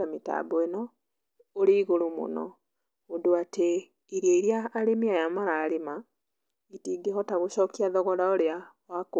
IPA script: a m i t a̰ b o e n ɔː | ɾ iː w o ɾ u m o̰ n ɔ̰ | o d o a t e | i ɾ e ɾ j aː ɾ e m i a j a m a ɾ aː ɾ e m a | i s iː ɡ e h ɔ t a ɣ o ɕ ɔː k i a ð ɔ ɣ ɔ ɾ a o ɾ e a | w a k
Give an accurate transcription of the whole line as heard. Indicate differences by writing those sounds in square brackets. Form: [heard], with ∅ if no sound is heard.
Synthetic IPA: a m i t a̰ b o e n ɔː | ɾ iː [ɣ] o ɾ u m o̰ n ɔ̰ | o d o a t e | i ɾ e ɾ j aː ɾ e m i a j a m a ɾ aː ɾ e m a | i [t] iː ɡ e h ɔ t a ɣ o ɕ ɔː k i a ð ɔ ɣ ɔ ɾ a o ɾ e a | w a k